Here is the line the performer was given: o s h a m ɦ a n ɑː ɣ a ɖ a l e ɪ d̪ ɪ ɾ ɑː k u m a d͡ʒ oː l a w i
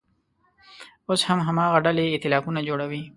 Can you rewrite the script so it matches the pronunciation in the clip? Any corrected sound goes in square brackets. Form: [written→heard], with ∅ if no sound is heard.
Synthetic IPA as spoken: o s h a m ɦ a [n→m] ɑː ɣ a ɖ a l e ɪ [d̪→t̪] ɪ [ɾ→l] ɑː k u [m→n] a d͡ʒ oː [l→ɽ] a w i

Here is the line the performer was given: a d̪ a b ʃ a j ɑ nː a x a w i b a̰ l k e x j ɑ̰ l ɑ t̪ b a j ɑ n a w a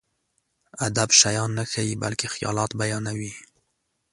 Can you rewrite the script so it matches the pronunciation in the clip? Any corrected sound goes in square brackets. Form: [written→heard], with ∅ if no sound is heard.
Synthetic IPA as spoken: a d̪ a b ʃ a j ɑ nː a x a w i b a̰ l k e x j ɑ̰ l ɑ t̪ b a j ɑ n a w [a→i]

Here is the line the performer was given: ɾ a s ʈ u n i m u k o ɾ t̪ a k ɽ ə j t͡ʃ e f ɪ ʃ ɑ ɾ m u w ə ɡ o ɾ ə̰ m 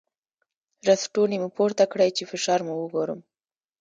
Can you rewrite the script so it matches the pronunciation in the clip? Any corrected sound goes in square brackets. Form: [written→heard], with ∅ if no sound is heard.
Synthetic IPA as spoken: ɾ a s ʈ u n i m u [k→p] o ɾ t̪ a k ɽ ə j t͡ʃ e f ɪ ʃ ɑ ɾ m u w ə ɡ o ɾ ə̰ m

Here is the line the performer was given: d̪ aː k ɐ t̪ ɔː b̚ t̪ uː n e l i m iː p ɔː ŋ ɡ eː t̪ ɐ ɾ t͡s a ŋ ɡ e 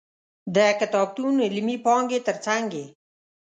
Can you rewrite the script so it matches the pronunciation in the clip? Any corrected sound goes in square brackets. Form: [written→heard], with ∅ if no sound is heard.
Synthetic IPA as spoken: d̪ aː k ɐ t̪ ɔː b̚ t̪ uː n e l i m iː p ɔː ŋ ɡ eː t̪ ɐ ɾ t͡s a ŋ ɡ e

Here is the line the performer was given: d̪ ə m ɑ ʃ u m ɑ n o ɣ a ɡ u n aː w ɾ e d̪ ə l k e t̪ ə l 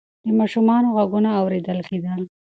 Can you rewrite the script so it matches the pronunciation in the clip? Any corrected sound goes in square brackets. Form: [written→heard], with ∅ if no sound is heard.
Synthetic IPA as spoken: d̪ ə m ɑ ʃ u m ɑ n o ɣ a ɡ u n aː w ɾ e d̪ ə l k e [t̪→d̪] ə l

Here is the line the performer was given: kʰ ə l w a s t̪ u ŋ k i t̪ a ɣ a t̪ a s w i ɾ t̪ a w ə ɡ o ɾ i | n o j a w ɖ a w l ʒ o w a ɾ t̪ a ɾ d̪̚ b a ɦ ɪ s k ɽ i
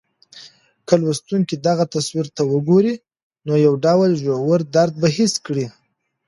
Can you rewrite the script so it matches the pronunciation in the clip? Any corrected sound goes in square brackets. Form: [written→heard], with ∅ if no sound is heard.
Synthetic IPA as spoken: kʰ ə l w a s t̪ u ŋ k i [t̪→d̪] a ɣ a t̪ a s w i ɾ t̪ a w ə ɡ o ɾ i | n o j a w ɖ a w l ʒ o w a ɾ [t̪→d̪] a ɾ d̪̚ b a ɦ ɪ s k ɽ i

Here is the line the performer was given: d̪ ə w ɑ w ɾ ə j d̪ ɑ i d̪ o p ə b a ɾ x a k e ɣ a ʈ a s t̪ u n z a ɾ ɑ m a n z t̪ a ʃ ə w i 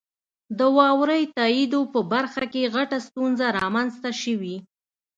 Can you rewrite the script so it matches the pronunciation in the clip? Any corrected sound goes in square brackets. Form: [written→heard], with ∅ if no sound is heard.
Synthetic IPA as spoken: d̪ ə w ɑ w ɾ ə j [d̪→t̪] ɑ i d̪ o p ə b a ɾ x a k e ɣ a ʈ a s t̪ u n z a ɾ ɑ m a n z t̪ a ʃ ə w i

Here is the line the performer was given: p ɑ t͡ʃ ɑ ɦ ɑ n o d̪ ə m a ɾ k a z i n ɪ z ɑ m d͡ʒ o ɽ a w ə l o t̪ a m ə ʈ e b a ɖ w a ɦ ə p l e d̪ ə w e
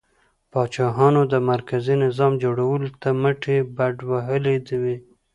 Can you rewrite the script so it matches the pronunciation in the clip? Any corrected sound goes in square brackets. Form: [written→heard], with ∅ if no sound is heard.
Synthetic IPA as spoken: p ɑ t͡ʃ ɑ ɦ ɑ n o d̪ ə m a ɾ k a z i n ɪ z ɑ m d͡ʒ o ɽ a w ə l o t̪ a m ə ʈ e b a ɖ w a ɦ ə [p→∅] l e d̪ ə w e

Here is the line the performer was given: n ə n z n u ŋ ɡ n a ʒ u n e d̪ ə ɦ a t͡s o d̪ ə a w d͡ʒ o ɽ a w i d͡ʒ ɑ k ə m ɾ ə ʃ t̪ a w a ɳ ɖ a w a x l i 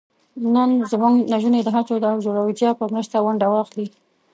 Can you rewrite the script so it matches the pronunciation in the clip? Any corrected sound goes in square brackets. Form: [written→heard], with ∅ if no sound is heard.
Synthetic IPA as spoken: n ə n z [n→m] u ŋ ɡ n a ʒ u n e d̪ ə ɦ a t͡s o d̪ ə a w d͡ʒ o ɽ a w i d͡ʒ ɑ [k→p] ə m ɾ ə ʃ t̪ a w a ɳ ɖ a w [a→ɑ] x l i

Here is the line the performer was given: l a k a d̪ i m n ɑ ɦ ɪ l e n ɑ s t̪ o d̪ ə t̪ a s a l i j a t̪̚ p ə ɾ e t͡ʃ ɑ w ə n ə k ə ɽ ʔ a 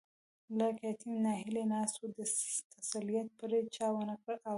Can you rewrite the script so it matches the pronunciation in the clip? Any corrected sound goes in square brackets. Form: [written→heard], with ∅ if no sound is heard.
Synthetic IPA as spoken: l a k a [d̪→t̪] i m n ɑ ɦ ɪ l e n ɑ s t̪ o d̪ ə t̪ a s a l i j a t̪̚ p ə ɾ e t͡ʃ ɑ w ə n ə k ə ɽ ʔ a

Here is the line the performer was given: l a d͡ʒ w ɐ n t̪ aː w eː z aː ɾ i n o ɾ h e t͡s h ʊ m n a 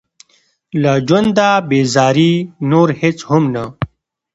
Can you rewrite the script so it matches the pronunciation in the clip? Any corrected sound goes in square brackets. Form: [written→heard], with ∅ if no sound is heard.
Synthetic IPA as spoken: l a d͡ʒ w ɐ n [t̪→d̪] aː [w→b] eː z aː ɾ i n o ɾ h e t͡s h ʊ m n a

